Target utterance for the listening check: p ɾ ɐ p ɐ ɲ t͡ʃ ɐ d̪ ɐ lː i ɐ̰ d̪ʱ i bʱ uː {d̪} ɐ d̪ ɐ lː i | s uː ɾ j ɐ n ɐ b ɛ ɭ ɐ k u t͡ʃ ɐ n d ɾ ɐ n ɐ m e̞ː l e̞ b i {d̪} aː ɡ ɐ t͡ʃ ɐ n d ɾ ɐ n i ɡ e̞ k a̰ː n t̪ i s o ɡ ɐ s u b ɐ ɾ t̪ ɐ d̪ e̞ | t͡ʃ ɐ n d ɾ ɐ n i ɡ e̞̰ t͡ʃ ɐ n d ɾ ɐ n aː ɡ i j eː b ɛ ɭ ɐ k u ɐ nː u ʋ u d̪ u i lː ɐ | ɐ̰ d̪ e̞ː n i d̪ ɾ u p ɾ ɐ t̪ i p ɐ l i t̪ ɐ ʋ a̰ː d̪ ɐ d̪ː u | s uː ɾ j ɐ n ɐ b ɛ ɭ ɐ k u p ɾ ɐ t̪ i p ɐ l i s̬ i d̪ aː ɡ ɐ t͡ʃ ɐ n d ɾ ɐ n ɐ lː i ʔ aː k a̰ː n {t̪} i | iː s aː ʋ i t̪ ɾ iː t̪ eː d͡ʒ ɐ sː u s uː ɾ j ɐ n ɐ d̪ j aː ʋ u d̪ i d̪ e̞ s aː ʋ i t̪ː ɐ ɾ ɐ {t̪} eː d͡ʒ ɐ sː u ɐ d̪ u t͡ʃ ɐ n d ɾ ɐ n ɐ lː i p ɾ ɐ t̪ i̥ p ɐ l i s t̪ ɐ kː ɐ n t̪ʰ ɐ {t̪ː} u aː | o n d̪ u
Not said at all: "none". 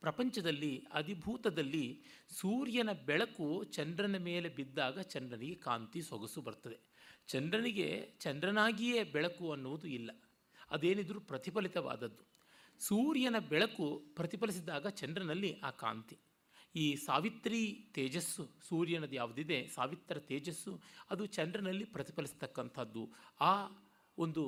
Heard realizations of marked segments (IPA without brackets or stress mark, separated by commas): t̪, d̪ː, t̪, t̪, d̪ː